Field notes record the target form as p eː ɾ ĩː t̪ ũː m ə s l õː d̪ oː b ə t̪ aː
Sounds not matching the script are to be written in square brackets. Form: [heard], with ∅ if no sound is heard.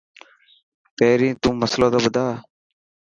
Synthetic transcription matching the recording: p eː ɾ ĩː t̪ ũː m ə s l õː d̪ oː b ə [d̪] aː